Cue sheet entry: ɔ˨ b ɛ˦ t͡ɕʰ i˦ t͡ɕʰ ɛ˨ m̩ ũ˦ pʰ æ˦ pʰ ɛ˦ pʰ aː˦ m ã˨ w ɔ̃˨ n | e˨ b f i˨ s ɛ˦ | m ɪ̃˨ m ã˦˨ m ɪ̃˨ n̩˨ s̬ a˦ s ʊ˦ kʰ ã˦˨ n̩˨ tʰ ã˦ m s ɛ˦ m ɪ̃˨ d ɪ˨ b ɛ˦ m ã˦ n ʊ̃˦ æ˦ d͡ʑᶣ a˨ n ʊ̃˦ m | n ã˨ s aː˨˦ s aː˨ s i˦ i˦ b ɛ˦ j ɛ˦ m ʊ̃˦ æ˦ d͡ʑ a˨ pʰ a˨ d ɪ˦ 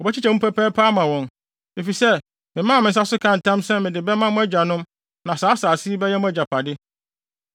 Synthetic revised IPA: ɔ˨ b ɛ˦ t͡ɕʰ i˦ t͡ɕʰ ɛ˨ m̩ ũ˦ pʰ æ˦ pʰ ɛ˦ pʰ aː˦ m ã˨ w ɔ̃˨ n | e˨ f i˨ s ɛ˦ | m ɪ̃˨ m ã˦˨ m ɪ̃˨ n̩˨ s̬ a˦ s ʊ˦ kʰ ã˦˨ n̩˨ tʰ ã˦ m s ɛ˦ m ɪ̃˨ d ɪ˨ b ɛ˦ m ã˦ m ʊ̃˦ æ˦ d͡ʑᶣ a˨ n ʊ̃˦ m | n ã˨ s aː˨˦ s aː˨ s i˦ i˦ b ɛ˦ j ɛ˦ m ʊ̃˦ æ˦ d͡ʑ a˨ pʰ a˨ d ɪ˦